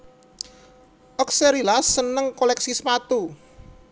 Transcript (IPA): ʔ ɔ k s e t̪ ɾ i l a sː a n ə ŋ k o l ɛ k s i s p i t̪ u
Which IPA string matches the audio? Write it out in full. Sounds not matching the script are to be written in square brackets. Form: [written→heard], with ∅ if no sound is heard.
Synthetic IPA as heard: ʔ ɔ k s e [t̪→∅] ɾ i l a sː [a→ə] n ə ŋ k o l ɛ k s i s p [i→a] t̪ u